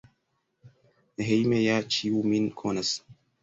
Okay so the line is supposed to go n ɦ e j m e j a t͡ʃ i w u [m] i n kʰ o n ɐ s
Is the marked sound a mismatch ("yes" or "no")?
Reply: no